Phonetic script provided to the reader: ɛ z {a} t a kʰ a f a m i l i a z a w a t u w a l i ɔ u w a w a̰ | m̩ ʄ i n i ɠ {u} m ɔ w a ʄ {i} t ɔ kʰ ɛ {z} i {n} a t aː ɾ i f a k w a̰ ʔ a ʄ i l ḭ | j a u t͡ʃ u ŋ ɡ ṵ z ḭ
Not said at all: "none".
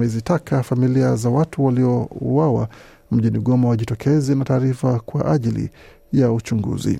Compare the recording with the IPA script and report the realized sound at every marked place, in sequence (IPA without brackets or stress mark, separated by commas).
i, ɔ, i, z, n